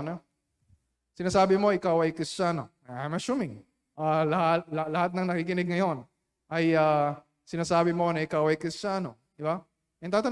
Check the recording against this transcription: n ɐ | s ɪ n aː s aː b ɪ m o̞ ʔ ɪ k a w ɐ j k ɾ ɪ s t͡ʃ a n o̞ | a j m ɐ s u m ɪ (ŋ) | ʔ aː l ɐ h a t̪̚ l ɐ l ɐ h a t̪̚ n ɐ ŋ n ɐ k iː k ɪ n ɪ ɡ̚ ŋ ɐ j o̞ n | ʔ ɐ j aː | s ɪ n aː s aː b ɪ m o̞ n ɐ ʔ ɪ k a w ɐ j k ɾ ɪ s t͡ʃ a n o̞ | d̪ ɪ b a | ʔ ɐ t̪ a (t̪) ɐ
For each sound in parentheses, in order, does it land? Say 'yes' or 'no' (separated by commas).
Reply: yes, yes